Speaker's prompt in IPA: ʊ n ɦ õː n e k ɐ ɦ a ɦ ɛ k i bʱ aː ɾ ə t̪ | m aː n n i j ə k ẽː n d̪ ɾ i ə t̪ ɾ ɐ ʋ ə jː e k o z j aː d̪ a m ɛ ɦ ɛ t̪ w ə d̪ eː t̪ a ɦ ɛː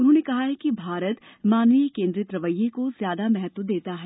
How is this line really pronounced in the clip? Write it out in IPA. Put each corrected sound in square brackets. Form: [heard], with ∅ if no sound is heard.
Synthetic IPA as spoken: ʊ n ɦ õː n e k ɐ ɦ a ɦ ɛ k i bʱ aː ɾ ə t̪ | m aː n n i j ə k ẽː n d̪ ɾ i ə t̪ ɾ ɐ ʋ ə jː e k o z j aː d̪ a m ɛ ɦ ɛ t̪ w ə d̪ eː t̪ a ɦ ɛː